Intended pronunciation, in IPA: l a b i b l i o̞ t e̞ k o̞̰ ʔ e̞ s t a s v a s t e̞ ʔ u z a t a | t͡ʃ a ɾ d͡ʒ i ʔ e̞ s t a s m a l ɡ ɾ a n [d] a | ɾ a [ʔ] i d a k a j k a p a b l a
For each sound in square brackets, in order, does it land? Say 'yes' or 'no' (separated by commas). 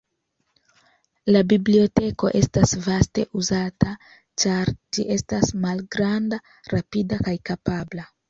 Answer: yes, no